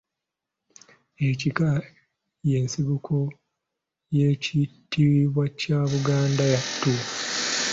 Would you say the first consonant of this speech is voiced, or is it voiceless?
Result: voiceless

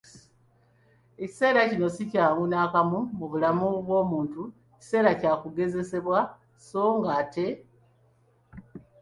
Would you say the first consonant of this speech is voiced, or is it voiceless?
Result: voiceless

